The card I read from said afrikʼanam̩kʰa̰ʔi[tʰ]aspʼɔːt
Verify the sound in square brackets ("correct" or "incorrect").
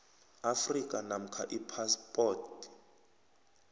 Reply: incorrect